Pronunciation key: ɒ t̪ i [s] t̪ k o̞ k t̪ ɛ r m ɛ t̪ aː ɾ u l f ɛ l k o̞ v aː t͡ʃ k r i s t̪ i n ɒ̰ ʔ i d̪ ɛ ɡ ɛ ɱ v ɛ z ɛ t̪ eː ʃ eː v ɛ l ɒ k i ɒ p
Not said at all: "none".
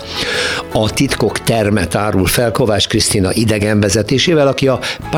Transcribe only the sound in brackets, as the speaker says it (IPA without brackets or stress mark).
none